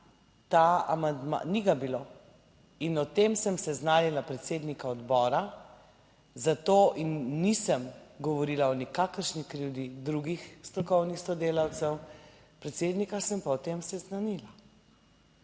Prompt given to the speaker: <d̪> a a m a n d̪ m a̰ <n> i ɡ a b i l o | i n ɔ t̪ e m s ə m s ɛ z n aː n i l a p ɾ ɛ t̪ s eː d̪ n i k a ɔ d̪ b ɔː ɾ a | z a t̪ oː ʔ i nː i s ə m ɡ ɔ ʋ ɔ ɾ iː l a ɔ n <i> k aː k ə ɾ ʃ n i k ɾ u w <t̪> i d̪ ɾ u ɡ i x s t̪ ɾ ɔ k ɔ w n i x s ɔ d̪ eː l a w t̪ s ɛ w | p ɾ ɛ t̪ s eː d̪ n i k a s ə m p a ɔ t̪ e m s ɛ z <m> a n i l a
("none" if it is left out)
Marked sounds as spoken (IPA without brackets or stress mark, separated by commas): t̪, n, i, d̪, n